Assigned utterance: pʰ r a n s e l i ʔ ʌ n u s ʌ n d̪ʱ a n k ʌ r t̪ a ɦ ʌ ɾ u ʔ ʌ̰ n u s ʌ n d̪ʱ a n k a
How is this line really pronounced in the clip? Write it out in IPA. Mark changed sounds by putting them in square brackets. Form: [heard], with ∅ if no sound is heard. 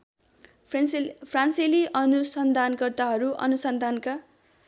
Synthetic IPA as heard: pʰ r a n s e l i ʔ ʌ n u s ʌ n d̪ʱ a n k ʌ r t̪ a ɦ ʌ ɾ u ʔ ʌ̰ n u s ʌ n d̪ʱ a n k a